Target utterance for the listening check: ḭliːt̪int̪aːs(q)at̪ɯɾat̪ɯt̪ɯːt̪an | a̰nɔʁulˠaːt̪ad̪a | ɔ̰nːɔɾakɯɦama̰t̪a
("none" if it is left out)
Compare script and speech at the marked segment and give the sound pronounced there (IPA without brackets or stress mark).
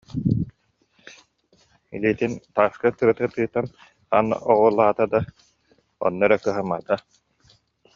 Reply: k